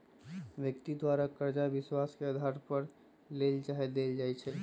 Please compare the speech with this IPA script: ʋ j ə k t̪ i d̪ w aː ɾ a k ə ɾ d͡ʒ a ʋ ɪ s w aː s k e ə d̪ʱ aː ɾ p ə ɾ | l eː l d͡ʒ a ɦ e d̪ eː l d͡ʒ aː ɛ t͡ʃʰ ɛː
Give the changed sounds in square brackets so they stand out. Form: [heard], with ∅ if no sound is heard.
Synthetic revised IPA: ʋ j ə k t̪ i d̪ w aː ɾ a k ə ɾ d͡ʒ a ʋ ɪ s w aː s k e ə d̪ʱ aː ɾ p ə ɾ | l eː l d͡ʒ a ɦ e d̪ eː l d͡ʒ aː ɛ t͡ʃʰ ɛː